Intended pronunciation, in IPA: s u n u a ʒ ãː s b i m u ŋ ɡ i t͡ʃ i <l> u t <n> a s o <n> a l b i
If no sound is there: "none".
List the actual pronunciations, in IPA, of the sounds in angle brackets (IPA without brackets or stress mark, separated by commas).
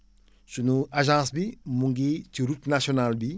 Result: ɾ, n, n